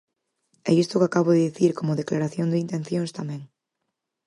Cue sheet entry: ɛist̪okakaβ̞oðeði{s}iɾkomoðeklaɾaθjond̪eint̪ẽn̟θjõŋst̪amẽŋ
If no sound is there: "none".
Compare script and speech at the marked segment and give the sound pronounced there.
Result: θ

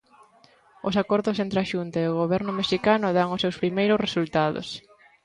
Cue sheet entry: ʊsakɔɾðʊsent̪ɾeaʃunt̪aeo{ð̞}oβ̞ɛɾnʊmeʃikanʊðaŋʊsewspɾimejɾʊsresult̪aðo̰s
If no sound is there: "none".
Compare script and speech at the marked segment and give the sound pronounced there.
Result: ɣ̞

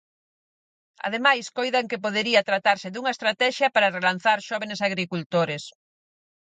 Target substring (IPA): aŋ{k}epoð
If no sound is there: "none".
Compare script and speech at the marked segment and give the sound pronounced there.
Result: k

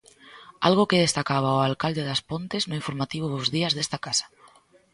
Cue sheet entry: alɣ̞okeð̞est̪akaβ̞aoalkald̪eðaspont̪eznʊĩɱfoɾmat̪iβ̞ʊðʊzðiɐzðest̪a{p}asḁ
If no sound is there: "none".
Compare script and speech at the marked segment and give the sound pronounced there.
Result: k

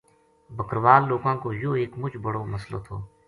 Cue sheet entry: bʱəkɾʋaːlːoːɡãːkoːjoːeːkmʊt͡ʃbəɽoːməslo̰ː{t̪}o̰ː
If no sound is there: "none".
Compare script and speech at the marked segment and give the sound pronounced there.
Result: t̪ʰ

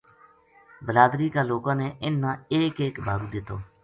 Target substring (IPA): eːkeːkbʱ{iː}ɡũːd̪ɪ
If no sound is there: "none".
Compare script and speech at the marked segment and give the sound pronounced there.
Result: aː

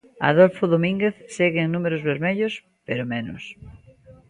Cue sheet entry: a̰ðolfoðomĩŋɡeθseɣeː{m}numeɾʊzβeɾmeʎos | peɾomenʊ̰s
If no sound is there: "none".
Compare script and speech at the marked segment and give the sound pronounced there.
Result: ŋ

